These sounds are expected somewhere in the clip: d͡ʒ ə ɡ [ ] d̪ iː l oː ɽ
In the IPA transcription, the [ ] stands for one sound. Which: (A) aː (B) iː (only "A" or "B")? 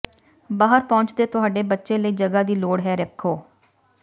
A